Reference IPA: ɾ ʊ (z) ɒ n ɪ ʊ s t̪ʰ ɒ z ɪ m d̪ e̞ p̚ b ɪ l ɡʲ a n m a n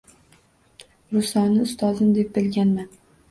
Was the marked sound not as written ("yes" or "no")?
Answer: yes